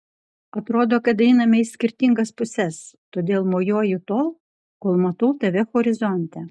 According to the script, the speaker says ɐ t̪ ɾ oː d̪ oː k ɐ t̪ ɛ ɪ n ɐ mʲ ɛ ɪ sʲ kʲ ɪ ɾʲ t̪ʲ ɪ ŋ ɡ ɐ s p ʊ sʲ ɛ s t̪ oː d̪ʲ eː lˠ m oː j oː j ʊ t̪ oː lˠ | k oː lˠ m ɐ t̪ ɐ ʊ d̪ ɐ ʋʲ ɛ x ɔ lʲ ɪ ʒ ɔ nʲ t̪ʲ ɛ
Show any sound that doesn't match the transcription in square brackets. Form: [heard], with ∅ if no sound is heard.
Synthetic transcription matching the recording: ɐ t̪ ɾ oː d̪ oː k ɐ t̪ ɛ ɪ n ɐ mʲ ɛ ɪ sʲ kʲ ɪ ɾʲ t̪ʲ ɪ ŋ ɡ ɐ s p ʊ sʲ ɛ s t̪ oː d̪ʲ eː lˠ m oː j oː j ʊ t̪ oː lˠ | k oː lˠ m ɐ t̪ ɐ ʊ [t̪] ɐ ʋʲ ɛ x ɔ [ɾʲ] ɪ [z] ɔ nʲ t̪ʲ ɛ